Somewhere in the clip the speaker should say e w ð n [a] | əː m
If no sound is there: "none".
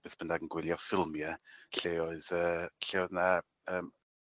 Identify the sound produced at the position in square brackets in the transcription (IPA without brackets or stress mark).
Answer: a